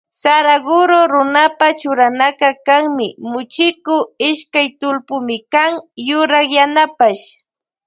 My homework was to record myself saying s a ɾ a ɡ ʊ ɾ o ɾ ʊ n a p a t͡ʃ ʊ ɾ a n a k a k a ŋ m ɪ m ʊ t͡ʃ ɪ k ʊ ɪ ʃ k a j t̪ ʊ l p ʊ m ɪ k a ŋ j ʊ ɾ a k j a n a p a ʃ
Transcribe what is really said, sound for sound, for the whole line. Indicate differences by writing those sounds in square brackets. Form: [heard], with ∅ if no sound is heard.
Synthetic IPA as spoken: s a ɾ a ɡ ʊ ɾ o ɾ ʊ n a p a t͡ʃ ʊ ɾ a n a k a k a ŋ m ɪ m ʊ t͡ʃ ɪ k ʊ ɪ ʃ k a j t̪ ʊ l p ʊ m ɪ k a ŋ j ʊ ɾ a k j a n a p a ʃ